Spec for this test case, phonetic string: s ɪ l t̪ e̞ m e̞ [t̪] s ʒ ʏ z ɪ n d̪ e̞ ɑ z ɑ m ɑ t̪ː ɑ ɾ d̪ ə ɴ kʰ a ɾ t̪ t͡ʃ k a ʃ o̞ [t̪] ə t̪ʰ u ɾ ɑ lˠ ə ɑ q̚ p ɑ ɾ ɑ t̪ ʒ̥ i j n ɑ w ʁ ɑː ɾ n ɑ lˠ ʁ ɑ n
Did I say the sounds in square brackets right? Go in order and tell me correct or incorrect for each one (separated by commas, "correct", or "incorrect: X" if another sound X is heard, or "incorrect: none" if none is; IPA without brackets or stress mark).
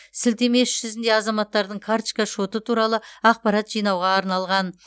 incorrect: none, correct